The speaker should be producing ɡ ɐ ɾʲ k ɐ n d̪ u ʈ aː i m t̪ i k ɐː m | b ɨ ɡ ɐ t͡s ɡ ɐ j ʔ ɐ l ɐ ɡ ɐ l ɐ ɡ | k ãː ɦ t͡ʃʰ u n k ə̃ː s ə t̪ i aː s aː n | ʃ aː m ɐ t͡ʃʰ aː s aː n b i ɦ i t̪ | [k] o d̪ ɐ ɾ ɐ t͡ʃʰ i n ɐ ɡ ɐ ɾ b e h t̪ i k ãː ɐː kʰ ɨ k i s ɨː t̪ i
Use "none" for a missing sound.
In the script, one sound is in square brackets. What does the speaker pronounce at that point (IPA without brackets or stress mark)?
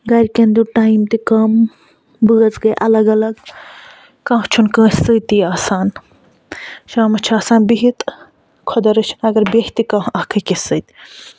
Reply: kʰ